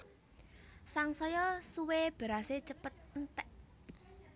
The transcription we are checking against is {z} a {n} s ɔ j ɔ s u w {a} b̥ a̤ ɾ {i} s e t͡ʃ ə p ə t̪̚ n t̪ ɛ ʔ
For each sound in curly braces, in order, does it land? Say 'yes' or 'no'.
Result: no, no, no, no

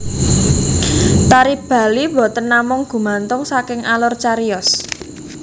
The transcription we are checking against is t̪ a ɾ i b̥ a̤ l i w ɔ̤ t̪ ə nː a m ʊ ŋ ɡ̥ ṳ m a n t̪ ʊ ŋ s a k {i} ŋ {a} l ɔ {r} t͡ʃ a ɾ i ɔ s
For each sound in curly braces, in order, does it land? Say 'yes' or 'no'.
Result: no, yes, yes

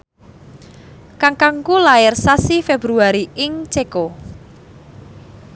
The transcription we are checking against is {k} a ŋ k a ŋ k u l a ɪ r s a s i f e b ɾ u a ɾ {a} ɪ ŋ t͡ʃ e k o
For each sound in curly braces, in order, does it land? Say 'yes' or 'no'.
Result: yes, no

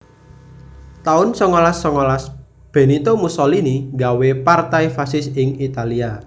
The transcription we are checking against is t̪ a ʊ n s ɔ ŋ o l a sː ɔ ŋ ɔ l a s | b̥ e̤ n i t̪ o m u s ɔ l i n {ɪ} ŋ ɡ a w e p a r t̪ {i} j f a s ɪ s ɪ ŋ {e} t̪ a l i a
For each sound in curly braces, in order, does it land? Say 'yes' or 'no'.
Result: no, no, no

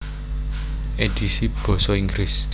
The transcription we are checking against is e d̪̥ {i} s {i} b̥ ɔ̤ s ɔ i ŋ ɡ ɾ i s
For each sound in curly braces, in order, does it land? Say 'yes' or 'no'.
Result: yes, yes

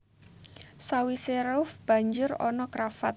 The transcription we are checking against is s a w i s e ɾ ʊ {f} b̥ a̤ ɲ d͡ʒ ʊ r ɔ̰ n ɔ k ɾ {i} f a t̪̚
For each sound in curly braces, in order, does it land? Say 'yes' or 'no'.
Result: yes, no

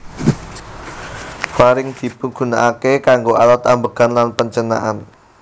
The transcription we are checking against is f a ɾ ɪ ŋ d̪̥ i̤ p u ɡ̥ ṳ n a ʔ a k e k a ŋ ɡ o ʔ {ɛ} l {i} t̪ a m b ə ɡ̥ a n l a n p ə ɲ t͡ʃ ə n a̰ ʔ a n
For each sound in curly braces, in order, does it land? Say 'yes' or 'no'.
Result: no, no

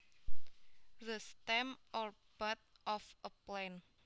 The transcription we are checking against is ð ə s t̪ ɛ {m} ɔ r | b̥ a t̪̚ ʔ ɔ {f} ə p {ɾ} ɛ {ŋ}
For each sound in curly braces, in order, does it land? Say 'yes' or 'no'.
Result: yes, yes, no, no

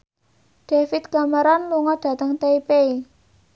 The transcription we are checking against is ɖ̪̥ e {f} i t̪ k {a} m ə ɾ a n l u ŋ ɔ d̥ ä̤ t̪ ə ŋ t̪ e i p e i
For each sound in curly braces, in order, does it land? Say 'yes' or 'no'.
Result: yes, yes

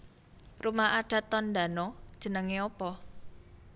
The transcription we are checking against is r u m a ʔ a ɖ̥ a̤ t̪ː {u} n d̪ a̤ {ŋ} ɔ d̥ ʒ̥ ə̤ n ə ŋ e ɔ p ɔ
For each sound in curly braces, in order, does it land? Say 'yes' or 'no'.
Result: no, no

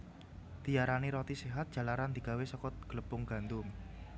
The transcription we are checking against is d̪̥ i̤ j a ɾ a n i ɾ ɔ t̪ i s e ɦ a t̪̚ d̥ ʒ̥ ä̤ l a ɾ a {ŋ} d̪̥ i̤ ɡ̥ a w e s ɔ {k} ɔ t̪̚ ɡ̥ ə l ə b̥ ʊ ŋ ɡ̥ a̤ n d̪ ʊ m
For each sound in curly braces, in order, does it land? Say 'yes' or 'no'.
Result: no, yes

